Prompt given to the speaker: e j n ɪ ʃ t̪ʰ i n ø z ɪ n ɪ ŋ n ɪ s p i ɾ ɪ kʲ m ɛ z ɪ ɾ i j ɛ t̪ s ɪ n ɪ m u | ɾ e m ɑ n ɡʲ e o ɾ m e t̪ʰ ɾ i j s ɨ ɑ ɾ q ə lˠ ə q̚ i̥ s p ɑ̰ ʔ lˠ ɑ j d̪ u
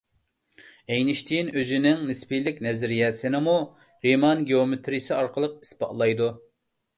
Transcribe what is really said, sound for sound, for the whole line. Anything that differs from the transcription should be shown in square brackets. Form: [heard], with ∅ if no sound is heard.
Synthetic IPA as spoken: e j n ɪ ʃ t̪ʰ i n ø z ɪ n ɪ ŋ n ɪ s p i [l] ɪ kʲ [n] ɛ z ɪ ɾ i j ɛ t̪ s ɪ n ɪ m u | ɾ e m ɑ n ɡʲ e o [∅] m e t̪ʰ ɾ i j s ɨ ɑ ɾ q ə lˠ ə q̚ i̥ s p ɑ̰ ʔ lˠ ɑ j d̪ u